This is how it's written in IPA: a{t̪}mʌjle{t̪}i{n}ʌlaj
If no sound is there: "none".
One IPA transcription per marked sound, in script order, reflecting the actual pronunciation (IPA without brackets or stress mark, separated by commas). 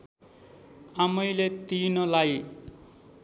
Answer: none, t̪, n